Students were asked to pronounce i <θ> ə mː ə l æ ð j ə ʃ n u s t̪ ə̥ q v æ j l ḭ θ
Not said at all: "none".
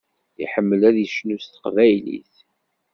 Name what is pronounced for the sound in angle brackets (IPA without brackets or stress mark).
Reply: ħ